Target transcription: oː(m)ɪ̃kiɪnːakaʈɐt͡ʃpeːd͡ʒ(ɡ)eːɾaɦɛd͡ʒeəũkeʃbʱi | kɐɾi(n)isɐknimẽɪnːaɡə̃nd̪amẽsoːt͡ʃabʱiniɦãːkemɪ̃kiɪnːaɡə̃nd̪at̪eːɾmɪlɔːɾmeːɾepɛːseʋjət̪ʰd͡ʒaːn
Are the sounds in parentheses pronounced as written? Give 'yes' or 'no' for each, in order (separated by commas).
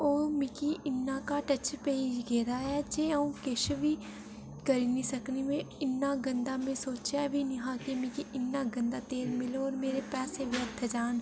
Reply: yes, yes, yes